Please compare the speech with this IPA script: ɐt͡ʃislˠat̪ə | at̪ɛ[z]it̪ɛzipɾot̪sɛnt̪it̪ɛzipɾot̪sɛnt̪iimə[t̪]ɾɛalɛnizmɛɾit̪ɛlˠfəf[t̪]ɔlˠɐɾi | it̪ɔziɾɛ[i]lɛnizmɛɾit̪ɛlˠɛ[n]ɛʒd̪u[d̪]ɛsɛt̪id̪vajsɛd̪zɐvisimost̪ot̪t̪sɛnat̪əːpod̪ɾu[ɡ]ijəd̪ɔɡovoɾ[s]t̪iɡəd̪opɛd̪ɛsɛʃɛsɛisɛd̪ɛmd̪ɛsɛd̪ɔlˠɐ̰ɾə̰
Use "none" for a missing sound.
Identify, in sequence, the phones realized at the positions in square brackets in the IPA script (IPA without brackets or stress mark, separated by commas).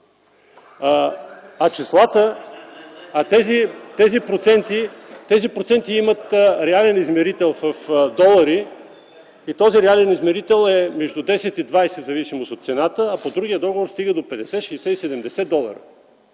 z, t̪, d̪, a, m, d̪, ɡ, s